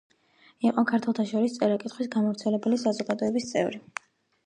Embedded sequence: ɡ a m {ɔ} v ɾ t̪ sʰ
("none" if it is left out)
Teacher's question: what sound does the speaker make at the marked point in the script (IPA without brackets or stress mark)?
ɔ